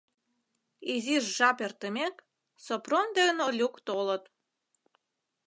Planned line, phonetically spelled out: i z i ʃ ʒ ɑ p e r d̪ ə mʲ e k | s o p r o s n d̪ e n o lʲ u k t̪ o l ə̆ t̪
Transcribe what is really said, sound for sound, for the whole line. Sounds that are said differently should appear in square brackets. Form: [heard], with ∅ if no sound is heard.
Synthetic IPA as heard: i z i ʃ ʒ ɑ p e r [t̪] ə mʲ e k | s o p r o [∅] n d̪ e n o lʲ u k t̪ o l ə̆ t̪